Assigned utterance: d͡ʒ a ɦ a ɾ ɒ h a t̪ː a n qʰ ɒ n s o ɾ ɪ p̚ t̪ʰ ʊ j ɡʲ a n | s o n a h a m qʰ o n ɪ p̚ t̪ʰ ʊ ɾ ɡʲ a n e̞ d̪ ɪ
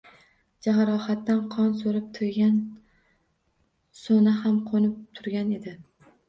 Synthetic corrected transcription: d͡ʒ a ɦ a ɾ ɒ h a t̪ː a n qʰ ɒ n s o ɾ ɪ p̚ t̪ʰ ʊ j ɡʲ a n | s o n a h a m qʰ o n ɪ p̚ t̪ʰ ʊ ɾ ɡʲ a n e̞ d̪ ɪ